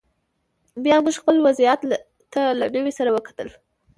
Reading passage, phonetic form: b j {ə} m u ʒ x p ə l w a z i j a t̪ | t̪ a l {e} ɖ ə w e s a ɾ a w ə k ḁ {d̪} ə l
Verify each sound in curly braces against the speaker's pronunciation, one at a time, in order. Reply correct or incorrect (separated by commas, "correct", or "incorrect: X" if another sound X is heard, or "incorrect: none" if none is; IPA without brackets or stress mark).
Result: incorrect: ɑ, incorrect: a, incorrect: t̪